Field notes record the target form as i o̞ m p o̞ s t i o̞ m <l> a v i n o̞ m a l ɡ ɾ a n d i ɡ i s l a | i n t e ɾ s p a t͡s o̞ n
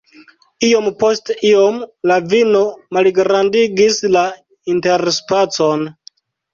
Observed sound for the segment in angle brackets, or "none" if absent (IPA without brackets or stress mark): l